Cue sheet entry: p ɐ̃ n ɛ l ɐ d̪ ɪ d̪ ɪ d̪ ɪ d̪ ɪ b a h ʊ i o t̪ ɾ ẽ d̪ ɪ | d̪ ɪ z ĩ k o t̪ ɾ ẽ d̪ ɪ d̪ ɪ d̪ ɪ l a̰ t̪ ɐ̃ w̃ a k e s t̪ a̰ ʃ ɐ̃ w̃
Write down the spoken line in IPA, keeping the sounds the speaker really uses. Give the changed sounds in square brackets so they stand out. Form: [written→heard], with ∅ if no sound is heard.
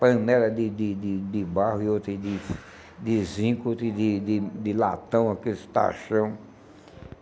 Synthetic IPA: p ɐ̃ n ɛ l ɐ d̪ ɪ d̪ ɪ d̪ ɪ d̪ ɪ b a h ʊ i o t̪ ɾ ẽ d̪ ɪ | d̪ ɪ z ĩ k o t̪ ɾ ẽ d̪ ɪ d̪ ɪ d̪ ɪ l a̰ t̪ ɐ̃ w̃ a k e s t̪ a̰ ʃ ɐ̃ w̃